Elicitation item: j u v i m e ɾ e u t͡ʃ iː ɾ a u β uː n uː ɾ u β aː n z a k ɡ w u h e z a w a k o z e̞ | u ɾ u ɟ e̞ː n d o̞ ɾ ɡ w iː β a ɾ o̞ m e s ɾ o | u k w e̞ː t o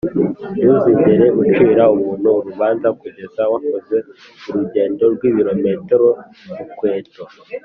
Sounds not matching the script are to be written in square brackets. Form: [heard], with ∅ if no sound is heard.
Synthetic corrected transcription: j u [z] i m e ɾ e u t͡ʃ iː ɾ a u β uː n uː ɾ u β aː n z a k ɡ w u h e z a w a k o z e̞ | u ɾ u ɟ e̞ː n d o̞ ɾ ɡ w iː β [i] ɾ o̞ m e [t] ɾ o | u k w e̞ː t o